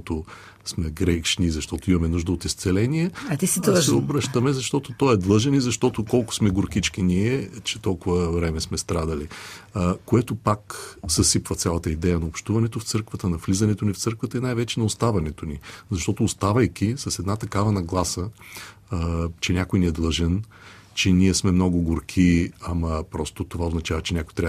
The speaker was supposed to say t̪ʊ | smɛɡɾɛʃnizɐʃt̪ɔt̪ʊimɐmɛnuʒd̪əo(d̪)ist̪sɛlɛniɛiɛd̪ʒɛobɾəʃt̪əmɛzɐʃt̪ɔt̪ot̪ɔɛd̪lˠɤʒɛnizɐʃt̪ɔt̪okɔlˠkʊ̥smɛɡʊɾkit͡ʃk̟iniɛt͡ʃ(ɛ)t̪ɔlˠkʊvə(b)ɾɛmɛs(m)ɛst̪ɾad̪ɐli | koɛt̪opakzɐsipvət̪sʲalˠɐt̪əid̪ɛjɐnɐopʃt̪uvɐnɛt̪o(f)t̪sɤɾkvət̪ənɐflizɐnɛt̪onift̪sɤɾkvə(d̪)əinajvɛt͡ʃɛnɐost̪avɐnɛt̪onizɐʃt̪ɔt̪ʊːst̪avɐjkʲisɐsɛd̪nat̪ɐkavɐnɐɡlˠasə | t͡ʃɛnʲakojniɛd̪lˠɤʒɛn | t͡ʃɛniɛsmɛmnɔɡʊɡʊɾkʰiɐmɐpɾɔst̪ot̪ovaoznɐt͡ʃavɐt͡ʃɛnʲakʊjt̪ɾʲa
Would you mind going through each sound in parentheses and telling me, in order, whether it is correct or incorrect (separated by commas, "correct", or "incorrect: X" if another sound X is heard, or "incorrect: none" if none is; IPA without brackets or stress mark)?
incorrect: t̪, correct, incorrect: v, correct, correct, incorrect: t̪